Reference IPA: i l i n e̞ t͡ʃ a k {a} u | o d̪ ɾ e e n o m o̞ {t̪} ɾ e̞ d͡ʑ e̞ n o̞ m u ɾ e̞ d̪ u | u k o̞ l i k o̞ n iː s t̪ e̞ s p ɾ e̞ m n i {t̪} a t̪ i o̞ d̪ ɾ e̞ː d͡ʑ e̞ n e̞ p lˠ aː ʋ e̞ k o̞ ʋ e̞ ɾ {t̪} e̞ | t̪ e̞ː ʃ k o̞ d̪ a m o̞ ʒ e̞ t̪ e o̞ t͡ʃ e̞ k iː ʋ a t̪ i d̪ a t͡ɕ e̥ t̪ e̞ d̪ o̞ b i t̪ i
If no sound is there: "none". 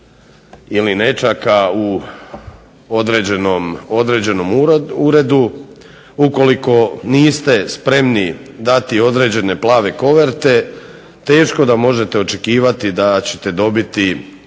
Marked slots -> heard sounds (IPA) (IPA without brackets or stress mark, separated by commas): a, d̪, d̪, t̪